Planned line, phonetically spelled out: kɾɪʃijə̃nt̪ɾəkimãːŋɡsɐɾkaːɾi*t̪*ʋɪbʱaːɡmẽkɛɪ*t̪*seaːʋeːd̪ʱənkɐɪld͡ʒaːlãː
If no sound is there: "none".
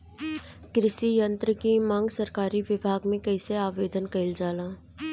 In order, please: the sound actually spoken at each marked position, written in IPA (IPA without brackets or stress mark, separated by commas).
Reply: none, none